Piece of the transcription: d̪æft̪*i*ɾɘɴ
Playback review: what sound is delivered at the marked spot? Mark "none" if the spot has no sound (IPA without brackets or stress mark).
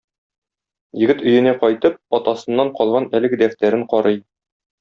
æ